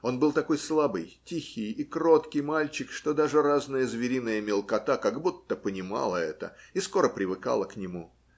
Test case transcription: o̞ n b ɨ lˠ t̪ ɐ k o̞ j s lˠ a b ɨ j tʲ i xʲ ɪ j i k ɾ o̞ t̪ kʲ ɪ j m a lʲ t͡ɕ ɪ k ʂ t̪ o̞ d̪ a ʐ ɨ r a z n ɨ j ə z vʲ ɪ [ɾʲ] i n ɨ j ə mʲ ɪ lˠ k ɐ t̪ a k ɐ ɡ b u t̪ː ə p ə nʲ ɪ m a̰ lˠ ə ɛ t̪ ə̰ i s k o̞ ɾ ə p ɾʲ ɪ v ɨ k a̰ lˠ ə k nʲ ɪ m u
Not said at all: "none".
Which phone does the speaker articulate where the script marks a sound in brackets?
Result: ɾʲ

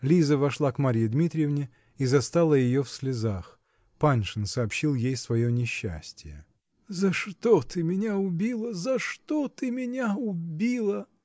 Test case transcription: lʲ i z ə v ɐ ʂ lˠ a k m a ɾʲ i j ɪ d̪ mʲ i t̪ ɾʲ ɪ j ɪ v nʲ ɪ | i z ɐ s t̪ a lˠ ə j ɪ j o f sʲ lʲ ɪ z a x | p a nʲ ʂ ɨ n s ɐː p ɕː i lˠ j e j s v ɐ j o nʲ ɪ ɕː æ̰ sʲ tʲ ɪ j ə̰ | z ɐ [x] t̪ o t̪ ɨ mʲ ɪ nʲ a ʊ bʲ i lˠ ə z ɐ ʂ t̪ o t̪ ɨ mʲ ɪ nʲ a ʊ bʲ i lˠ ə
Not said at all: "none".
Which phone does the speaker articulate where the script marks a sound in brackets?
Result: ʂ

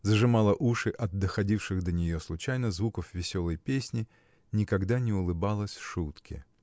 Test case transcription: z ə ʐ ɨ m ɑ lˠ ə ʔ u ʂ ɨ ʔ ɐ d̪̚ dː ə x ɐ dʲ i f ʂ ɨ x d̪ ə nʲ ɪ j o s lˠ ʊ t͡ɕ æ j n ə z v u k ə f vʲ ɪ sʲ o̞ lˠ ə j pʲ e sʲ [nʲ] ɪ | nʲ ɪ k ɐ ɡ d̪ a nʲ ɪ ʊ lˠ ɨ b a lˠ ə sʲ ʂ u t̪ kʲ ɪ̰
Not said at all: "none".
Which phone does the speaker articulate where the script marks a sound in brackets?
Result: nʲ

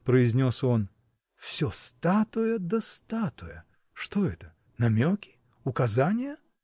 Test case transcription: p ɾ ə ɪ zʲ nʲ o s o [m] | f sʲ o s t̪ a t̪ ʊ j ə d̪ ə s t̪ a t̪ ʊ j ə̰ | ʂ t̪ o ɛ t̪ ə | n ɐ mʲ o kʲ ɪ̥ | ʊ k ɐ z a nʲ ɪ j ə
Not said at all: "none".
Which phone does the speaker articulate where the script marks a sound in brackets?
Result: n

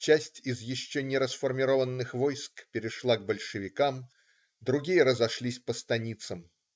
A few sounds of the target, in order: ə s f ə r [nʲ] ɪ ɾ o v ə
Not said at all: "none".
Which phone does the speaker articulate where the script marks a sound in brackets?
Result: mʲ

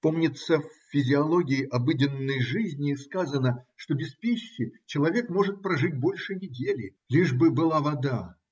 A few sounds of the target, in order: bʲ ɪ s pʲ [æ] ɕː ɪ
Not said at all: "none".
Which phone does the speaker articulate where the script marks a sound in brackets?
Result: i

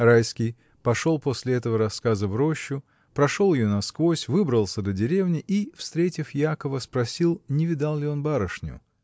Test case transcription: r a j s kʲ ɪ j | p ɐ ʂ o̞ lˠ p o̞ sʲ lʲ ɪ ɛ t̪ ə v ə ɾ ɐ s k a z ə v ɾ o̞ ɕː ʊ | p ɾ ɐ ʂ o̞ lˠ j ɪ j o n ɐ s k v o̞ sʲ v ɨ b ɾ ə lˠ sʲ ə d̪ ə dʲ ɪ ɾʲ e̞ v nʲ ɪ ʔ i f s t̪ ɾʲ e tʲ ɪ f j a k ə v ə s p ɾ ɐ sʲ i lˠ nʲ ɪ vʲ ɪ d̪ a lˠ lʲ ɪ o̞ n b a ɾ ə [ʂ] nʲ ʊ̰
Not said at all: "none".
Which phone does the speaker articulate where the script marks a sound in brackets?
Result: ʂ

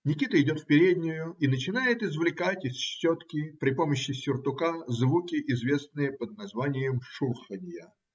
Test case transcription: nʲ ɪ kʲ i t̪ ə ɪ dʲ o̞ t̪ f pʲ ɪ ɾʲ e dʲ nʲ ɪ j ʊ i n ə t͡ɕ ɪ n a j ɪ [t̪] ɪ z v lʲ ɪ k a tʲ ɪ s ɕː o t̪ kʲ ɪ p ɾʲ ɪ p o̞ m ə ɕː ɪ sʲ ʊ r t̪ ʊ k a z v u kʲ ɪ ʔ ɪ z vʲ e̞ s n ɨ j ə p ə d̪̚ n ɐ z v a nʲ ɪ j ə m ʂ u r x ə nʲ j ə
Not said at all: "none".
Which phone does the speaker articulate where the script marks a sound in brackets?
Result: t̪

